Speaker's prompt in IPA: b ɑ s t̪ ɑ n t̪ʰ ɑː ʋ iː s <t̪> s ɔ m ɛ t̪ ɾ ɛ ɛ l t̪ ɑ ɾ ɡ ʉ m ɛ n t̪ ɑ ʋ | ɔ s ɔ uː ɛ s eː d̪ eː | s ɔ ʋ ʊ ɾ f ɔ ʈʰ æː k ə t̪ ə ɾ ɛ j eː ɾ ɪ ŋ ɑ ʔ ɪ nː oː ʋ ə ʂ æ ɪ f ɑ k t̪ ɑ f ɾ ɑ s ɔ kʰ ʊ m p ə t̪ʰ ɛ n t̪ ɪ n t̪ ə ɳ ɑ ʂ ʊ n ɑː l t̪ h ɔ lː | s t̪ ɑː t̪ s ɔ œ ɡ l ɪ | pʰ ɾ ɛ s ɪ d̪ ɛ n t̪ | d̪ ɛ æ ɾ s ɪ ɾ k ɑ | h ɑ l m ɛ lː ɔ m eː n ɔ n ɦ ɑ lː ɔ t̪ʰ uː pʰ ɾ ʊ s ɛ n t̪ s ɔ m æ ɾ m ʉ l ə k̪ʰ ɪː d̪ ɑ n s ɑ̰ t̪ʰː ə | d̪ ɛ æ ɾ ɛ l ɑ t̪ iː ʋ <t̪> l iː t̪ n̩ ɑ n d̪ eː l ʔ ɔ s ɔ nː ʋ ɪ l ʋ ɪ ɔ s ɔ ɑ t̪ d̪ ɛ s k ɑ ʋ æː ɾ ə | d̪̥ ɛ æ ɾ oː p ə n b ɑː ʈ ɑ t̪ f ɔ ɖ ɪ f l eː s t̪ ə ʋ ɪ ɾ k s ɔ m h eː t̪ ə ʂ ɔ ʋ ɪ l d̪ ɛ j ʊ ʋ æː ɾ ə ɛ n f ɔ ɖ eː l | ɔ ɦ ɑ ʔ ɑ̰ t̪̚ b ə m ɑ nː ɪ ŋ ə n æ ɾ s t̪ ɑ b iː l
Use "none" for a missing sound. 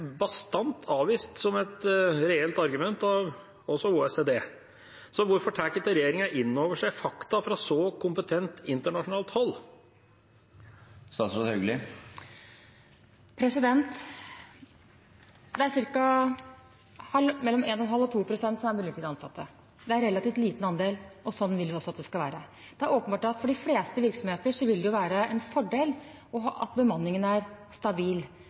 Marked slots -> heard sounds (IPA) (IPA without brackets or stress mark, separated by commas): t̪, t̪